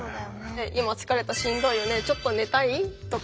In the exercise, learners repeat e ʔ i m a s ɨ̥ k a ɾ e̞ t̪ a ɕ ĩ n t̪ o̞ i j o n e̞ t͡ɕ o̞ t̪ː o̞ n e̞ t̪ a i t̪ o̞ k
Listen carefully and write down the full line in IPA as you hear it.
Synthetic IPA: e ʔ i m a t͡s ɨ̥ k a ɾ e̞ t̪ a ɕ ĩ n d̪ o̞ i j o n e̞ t͡ɕ o̞ t̪ː o̞ n e̞ t̪ a i t̪ o̞ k